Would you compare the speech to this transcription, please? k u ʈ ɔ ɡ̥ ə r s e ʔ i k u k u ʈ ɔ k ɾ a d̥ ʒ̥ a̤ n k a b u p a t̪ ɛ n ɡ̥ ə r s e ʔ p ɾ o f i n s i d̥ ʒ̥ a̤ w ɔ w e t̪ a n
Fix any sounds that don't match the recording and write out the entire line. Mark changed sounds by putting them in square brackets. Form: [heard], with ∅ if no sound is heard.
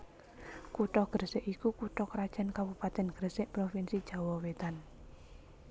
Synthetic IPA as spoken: k u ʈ ɔ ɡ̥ ə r s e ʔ i k u k u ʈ ɔ k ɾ a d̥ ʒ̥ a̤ n k a b u p a t̪ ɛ n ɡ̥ ə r s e ʔ p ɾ o f i n s i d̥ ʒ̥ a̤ w ɔ w e t̪ a n